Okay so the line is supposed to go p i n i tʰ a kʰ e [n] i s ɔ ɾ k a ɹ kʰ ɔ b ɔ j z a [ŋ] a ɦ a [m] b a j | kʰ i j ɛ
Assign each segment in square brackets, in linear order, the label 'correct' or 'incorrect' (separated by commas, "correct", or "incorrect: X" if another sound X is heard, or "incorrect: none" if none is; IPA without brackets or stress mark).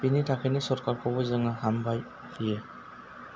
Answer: correct, correct, correct